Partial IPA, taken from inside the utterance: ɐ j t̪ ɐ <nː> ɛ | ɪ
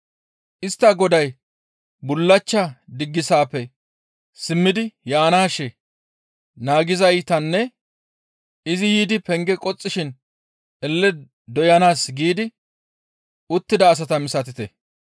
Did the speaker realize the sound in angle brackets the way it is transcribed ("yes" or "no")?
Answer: yes